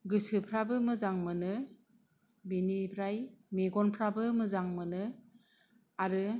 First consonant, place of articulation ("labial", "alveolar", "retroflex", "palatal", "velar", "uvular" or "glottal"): velar